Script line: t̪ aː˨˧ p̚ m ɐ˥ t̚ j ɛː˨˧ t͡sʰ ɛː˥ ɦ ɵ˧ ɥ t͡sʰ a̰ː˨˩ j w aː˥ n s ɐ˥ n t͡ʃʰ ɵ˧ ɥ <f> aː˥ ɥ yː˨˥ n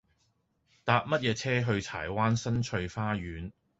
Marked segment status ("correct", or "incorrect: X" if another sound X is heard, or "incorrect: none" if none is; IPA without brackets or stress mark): correct